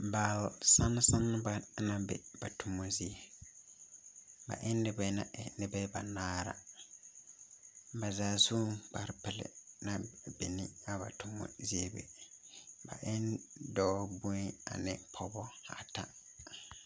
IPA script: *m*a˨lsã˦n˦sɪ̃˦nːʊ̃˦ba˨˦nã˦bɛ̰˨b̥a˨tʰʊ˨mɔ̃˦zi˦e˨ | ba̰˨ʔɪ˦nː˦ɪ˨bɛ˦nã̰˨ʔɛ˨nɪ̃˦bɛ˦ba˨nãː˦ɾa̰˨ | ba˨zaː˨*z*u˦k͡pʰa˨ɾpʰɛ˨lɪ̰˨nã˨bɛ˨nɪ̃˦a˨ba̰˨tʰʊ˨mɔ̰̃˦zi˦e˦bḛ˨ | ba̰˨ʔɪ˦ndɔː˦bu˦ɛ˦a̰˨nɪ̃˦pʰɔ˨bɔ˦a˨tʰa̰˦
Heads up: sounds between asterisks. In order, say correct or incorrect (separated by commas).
incorrect, incorrect